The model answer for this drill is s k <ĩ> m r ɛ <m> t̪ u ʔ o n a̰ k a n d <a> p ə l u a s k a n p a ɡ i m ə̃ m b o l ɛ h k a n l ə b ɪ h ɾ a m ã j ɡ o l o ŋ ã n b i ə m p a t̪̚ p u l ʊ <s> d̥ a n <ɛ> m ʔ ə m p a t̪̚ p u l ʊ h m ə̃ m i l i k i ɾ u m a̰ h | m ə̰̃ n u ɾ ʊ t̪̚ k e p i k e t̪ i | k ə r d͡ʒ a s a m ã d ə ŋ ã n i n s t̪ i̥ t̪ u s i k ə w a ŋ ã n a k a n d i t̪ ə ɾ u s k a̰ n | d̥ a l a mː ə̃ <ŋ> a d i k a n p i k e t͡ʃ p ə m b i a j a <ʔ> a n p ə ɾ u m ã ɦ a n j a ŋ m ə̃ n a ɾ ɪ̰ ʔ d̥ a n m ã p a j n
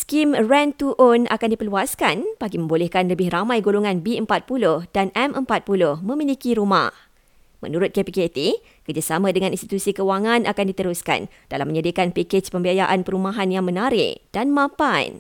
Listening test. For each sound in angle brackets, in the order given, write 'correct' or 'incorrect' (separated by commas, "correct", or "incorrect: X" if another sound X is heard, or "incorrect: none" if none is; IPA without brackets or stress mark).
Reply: incorrect: i, incorrect: n, incorrect: i, incorrect: h, correct, incorrect: ɲ, correct